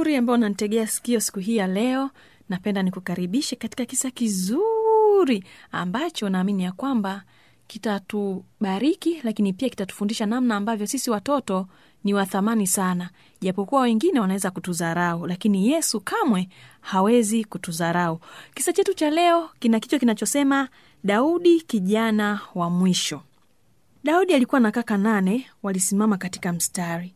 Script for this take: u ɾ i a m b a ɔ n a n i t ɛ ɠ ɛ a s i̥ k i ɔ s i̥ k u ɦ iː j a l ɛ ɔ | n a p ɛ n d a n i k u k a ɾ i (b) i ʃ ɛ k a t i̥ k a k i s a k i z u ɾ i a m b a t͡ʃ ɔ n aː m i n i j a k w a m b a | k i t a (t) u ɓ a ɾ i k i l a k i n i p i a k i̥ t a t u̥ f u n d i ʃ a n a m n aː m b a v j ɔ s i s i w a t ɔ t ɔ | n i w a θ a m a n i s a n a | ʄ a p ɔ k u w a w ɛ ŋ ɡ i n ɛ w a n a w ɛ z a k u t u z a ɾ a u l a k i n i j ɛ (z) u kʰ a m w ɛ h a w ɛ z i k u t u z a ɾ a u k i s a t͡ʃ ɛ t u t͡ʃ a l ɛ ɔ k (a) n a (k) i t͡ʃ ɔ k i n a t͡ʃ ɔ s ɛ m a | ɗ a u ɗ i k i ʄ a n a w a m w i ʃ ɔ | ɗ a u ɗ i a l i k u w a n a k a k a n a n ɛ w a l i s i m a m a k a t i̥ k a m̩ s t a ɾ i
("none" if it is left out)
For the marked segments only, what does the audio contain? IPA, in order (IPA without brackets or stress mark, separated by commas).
ɓ, t, s, i, k